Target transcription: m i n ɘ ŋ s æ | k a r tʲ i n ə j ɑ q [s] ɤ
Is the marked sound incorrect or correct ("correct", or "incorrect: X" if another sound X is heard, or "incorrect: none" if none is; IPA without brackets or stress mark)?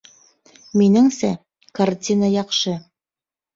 incorrect: ʃ